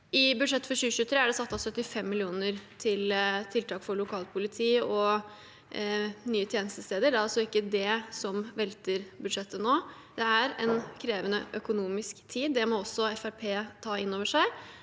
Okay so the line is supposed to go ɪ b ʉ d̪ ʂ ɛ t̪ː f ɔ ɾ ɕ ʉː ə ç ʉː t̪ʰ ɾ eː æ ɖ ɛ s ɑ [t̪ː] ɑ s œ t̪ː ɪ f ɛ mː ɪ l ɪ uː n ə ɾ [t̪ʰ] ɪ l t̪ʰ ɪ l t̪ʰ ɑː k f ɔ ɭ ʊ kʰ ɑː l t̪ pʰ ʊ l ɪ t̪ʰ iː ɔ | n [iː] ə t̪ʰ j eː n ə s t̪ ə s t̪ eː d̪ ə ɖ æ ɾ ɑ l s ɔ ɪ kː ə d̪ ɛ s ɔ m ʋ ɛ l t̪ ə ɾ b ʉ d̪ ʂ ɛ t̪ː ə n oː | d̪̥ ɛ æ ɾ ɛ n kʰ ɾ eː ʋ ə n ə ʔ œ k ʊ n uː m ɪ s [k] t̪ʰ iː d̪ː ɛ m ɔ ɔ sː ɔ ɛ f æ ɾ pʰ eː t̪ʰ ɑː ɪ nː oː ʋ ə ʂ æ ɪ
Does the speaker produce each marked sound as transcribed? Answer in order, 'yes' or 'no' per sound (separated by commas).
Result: yes, yes, no, yes